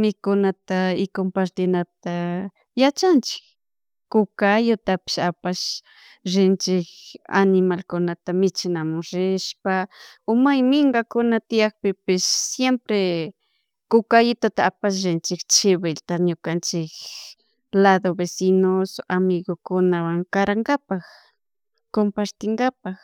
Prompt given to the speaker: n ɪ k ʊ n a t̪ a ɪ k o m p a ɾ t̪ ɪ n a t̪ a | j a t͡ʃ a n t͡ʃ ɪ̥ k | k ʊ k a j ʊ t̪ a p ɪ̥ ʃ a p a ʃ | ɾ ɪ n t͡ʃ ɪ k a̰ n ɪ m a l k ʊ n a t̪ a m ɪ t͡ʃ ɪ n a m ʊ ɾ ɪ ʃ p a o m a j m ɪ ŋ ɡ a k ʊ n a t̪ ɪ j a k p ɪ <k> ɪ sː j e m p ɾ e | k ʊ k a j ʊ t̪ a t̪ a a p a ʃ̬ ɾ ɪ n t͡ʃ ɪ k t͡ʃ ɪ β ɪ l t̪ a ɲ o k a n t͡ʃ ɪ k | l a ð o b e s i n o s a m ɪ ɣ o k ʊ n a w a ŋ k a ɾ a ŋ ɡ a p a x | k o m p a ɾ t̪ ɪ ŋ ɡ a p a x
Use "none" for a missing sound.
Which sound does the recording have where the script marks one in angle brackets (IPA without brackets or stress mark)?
p